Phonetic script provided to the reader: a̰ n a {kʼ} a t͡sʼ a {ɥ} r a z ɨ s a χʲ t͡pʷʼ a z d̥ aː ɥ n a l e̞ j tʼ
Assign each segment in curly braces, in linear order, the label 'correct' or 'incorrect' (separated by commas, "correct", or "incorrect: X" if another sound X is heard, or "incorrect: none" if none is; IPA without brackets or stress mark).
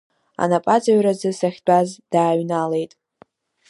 incorrect: pʼ, correct